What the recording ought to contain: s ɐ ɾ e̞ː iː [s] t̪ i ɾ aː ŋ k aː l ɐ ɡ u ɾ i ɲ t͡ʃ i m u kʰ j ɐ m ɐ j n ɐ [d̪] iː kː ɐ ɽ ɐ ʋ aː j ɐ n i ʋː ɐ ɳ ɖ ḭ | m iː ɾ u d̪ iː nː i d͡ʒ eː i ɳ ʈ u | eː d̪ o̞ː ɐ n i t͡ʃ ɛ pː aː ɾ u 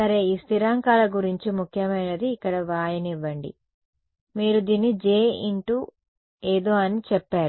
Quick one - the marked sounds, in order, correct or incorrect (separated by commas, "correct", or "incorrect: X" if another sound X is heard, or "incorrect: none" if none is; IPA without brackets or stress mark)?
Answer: correct, correct